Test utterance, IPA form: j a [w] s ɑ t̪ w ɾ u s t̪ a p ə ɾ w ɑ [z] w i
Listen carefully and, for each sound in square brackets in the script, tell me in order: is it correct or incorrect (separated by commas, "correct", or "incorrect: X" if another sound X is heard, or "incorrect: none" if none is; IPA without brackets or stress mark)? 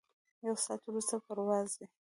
correct, correct